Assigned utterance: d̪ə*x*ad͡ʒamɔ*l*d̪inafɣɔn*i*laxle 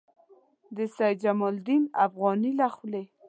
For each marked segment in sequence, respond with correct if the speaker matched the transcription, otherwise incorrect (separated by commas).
incorrect, correct, correct